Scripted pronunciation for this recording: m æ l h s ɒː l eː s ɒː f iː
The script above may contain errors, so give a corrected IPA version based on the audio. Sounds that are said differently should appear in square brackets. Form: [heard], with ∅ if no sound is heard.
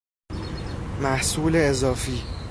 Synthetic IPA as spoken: m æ [∅] h s [uː] l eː [z] ɒː f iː